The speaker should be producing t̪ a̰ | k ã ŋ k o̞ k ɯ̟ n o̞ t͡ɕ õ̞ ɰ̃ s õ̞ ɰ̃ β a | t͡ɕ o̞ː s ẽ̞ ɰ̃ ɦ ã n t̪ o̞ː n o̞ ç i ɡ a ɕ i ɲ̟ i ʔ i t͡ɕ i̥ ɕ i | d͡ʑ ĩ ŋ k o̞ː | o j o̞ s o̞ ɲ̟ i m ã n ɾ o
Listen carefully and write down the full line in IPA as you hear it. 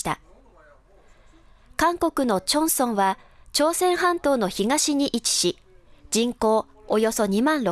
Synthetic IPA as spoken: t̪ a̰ | k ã ŋ k o̞ k ɯ̟ n o̞ t͡ɕ õ̞ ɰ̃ s õ̞ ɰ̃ β a | t͡ɕ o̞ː s ẽ̞ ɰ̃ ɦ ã n t̪ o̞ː n o̞ ç i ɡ a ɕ i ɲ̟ i ʔ i t͡ɕ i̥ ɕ i | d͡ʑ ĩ ŋ k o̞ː | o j o̞ s o̞ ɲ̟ i m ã n ɾ o

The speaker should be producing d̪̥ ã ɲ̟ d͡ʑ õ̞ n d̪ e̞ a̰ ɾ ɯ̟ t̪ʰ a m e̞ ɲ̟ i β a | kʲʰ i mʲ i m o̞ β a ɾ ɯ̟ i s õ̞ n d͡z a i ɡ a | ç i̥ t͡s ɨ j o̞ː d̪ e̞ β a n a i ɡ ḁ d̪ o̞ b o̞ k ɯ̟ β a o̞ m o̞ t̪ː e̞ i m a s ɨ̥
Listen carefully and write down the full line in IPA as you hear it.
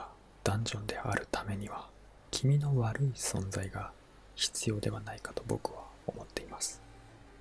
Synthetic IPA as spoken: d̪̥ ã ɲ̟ d͡ʑ õ̞ n d̪ e̞ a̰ ɾ ɯ̟ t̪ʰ a m e̞ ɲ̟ i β a | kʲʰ i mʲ i n o̞ β a ɾ ɯ̟ i s õ̞ n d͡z a i ɡ a | ç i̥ t͡s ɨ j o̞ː d̪ e̞ β a n a i k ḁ t̪ o̞ b o̞ k ɯ̟ β a o̞ m o̞ t̪ː e̞ i m a s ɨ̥

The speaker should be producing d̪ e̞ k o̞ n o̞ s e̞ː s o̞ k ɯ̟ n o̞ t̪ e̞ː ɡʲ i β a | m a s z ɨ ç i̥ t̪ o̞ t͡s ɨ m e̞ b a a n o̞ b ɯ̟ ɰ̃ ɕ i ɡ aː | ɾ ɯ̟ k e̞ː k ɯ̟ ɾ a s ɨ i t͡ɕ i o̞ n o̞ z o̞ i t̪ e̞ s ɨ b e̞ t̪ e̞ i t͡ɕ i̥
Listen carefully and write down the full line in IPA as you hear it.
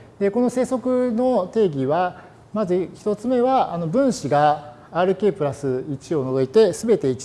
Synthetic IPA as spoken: d̪ e̞ k o̞ n o̞ s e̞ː s o̞ k ɯ̟ n o̞ t̪ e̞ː ɡʲ i β a | m a z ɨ ç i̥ t̪ o̞ t͡s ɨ m e̞ β a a n o̞ b ɯ̟̃ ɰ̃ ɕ i ɡ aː | ɾ ɯ̟ k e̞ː p ɯ̟ ɾ a s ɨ i t͡ɕ i o̞ n o̞ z o̞ i t̪ e̞ s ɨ b e̞ t̪ e̞ i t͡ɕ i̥

